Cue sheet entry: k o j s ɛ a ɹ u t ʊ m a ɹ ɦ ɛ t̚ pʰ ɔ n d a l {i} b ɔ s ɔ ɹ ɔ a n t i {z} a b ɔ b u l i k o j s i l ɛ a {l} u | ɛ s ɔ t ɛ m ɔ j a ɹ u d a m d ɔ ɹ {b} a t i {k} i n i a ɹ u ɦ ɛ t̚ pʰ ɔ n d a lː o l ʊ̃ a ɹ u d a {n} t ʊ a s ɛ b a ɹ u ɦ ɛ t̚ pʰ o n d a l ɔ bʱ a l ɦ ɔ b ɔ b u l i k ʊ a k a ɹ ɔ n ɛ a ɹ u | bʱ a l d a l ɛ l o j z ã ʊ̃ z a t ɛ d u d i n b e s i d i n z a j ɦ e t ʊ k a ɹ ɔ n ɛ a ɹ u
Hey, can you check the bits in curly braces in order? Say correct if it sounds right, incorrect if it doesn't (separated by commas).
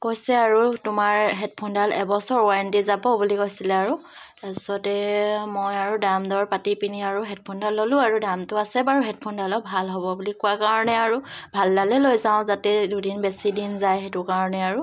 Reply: incorrect, correct, incorrect, incorrect, incorrect, incorrect